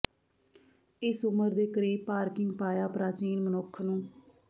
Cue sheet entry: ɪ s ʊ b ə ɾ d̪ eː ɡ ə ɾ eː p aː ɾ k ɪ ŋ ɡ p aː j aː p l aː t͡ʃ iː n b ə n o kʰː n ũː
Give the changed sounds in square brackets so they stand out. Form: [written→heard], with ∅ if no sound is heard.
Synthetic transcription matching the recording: ɪ s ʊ [b→m] ə ɾ d̪ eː [ɡ→k] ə ɾ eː p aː ɾ k ɪ ŋ ɡ p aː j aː p [l→ɾ] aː t͡ʃ iː n [b→m] ə n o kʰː n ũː

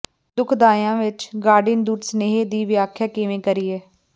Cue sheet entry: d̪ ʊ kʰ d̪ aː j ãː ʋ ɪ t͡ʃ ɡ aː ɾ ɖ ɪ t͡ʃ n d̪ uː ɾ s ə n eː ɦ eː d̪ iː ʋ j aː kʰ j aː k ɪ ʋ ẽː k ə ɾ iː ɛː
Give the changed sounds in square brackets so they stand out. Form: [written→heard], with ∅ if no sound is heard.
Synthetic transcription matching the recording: d̪ ʊ kʰ d̪ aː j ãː ʋ ɪ t͡ʃ ɡ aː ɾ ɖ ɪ [t͡ʃ→∅] n d̪ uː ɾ s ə n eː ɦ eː d̪ iː ʋ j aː kʰ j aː k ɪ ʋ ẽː k ə ɾ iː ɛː

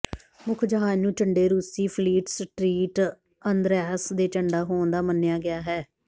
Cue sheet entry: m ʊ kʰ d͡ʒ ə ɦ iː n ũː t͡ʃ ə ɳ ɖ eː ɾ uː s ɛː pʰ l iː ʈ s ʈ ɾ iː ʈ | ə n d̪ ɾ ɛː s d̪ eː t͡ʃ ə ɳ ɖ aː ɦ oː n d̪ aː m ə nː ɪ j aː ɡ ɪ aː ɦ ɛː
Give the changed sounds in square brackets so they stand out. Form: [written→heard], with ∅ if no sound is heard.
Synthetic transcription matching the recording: m ʊ kʰ d͡ʒ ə ɦ [iː→aː] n ũː t͡ʃ ə ɳ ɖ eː ɾ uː s [ɛː→iː] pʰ l iː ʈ s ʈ ɾ iː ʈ | ə n d̪ ɾ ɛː s d̪ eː t͡ʃ ə ɳ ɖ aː ɦ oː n d̪ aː m ə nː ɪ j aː ɡ ɪ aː ɦ ɛː

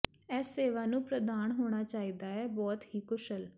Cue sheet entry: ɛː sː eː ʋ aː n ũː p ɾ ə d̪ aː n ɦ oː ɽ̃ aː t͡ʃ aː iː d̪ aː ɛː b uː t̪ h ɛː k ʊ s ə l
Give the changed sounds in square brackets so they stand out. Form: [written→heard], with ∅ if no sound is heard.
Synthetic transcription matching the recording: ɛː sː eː ʋ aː n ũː p ɾ ə d̪ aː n ɦ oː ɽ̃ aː t͡ʃ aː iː d̪ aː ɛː b [uː→ɔː] t̪ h [ɛː→iː] k ʊ [s→ʃ] ə l

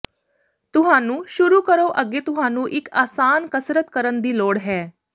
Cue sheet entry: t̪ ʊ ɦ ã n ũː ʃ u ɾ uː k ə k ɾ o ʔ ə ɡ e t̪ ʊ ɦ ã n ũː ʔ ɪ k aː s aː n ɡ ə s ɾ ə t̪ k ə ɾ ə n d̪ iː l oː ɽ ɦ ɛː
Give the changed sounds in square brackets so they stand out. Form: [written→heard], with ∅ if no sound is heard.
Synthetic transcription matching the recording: t̪ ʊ ɦ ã n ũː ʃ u ɾ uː k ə [k→∅] ɾ o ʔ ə ɡ e t̪ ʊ ɦ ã n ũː ʔ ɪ k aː s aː n [ɡ→k] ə s ɾ ə t̪ k ə ɾ ə n d̪ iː l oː ɽ ɦ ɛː

